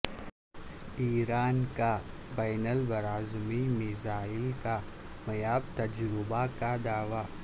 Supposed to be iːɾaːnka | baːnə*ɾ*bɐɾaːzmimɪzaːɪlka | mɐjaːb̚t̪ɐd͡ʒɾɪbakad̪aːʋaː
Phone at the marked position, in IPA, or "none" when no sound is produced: l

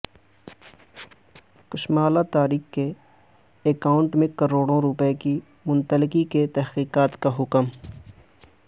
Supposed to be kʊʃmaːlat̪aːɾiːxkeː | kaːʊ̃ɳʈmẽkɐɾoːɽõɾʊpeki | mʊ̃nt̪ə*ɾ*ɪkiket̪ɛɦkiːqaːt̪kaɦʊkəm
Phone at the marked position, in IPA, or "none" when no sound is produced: l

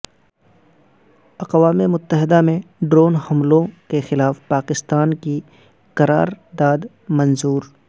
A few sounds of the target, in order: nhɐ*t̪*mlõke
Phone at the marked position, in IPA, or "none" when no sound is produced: none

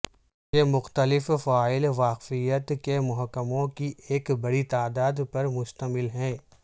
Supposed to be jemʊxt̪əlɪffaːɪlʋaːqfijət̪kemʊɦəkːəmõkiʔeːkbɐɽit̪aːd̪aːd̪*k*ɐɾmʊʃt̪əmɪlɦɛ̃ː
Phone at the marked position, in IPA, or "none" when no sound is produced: p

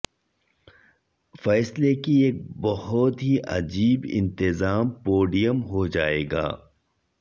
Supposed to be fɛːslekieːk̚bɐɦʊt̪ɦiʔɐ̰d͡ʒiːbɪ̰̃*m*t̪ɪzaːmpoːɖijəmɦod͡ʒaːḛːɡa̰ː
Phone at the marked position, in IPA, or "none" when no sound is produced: n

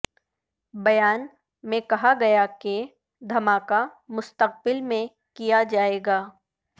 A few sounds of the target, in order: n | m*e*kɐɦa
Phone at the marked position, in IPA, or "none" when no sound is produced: ẽ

